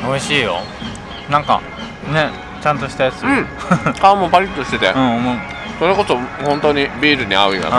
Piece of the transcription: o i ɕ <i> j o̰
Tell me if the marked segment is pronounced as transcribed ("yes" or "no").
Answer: no